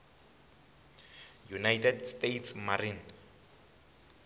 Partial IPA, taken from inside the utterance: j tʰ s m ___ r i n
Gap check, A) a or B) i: A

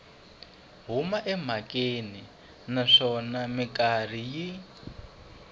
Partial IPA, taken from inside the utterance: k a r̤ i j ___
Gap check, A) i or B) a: A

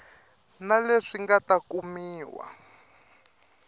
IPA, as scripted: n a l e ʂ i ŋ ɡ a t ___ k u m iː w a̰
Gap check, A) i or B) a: B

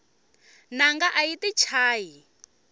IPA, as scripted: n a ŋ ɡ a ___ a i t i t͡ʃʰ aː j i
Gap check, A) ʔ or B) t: A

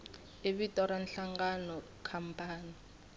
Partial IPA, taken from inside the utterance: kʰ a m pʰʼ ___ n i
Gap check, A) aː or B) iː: A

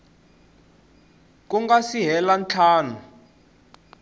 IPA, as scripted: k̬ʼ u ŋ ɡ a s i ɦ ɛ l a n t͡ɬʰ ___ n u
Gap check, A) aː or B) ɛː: A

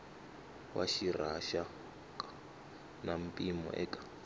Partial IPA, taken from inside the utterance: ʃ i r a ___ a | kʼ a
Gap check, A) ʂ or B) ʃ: B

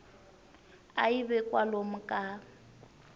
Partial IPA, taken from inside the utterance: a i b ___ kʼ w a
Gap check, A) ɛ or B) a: A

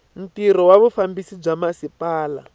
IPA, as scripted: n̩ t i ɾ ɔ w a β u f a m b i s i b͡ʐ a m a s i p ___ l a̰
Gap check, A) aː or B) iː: A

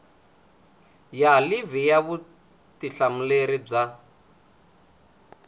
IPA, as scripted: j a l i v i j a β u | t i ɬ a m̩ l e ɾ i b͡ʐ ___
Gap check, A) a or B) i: A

